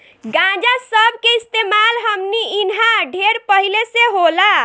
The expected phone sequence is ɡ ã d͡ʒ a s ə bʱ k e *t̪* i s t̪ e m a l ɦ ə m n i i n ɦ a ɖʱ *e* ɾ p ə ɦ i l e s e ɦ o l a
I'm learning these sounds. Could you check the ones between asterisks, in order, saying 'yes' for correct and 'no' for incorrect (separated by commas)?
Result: no, yes